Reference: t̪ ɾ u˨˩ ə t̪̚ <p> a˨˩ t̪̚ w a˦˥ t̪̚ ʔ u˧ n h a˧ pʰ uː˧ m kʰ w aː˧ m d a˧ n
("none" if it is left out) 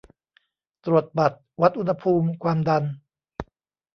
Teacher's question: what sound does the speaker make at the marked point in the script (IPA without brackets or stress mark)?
b